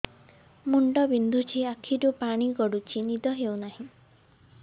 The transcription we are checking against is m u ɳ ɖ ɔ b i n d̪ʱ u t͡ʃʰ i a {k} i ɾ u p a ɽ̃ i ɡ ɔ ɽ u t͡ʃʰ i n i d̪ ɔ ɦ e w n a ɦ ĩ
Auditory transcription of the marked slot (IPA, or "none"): kʰ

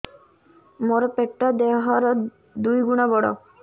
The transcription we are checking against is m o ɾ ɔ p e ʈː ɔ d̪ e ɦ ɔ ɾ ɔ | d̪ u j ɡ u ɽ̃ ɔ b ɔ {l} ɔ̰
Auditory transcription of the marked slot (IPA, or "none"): ɽ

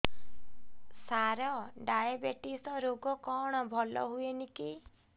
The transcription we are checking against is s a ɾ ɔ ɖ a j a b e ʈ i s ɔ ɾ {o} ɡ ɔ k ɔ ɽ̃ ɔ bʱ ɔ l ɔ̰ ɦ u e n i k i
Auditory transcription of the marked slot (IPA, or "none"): o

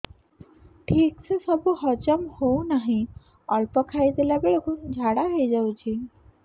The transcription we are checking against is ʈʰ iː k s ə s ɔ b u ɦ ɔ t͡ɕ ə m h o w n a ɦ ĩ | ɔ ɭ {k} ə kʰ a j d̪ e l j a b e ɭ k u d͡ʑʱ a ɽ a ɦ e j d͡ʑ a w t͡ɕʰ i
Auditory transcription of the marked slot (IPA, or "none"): p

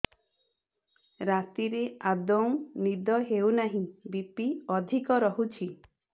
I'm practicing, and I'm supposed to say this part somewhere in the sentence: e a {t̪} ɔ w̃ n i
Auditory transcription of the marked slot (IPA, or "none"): d̪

